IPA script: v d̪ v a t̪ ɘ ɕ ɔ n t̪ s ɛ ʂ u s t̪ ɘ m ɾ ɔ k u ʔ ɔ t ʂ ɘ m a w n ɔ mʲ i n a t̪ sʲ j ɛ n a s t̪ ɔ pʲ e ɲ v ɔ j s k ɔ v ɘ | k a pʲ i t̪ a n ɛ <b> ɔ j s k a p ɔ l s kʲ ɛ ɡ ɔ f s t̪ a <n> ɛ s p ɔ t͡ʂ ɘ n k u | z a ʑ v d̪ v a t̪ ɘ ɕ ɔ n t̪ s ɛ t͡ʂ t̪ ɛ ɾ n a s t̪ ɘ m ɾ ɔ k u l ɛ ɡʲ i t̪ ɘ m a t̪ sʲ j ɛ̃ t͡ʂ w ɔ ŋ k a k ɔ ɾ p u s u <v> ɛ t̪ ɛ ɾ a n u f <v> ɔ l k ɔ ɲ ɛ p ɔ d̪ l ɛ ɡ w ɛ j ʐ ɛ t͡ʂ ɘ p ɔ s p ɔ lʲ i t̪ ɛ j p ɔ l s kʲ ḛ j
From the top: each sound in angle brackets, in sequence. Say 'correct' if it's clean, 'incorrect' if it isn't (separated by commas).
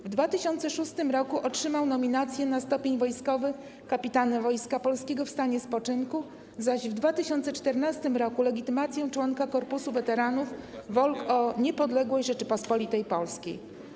incorrect, incorrect, correct, correct